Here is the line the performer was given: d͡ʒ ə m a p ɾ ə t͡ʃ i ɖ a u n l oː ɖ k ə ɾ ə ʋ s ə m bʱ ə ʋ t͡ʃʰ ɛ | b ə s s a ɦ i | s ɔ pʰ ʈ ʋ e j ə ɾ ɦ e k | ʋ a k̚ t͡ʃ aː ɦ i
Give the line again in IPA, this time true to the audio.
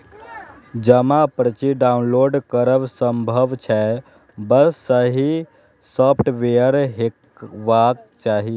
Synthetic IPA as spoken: d͡ʒ ə m a p ɾ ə t͡ʃ i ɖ a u n l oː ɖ k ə ɾ ə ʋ s ə m bʱ ə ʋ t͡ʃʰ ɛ | b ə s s ə ɦ i | s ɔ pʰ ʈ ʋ e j ə ɾ ɦ e k | ʋ a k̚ t͡ʃ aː ɦ i